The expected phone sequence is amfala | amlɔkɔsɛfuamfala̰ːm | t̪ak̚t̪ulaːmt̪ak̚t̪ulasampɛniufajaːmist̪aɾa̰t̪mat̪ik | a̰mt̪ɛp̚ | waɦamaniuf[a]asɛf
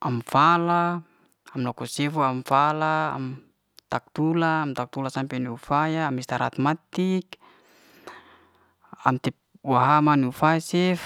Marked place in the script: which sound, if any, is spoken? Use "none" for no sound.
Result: a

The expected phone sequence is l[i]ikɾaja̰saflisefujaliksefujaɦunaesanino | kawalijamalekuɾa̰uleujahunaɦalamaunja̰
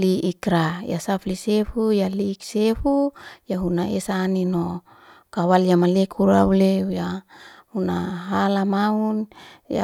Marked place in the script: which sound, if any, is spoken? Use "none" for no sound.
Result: i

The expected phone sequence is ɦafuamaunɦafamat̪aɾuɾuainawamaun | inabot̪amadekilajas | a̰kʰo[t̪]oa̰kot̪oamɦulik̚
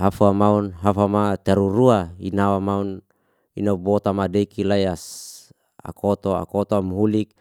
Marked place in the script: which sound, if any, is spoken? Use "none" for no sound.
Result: t̪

